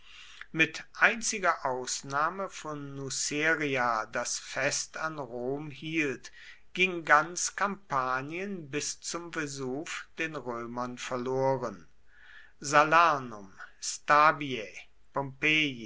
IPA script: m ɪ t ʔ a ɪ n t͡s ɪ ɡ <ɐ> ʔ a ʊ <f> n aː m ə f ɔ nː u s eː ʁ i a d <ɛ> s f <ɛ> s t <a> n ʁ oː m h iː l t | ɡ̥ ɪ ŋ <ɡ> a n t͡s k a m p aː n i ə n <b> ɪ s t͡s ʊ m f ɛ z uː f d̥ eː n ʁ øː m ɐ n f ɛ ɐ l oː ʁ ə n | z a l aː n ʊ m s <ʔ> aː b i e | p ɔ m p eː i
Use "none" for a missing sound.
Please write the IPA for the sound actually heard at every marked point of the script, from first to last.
ɐ, s, a, ɛ, a, ɡ, b, t

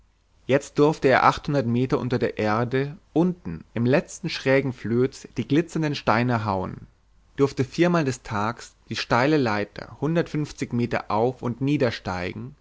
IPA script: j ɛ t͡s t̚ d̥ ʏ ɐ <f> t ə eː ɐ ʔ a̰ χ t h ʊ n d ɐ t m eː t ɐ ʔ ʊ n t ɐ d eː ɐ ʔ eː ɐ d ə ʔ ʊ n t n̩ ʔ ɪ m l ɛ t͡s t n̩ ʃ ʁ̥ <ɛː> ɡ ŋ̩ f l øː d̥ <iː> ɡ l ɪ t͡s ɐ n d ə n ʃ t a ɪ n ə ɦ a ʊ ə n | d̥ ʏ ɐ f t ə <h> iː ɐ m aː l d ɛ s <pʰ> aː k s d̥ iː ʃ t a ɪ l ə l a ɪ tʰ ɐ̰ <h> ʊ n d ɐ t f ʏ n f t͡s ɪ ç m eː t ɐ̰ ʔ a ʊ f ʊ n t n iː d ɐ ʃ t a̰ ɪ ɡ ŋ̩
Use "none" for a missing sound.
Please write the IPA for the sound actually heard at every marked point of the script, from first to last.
f, ɛː, iː, f, tʰ, h

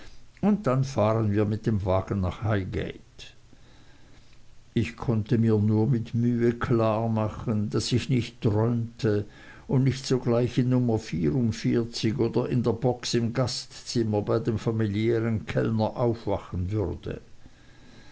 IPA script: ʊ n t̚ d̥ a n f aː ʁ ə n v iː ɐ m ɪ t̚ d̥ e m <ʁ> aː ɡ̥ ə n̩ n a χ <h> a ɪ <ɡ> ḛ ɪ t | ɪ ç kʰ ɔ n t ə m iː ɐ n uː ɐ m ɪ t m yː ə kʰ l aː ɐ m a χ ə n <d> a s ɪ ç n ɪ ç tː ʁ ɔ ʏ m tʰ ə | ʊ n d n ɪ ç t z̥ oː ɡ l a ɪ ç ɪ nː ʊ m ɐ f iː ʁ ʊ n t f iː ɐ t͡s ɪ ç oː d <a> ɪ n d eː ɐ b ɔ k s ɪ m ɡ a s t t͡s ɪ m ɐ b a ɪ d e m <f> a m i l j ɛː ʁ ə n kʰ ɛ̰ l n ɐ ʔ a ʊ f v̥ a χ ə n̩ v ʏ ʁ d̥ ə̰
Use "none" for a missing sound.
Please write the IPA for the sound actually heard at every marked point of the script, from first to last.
v, h, ɡ, d, ɐ, f

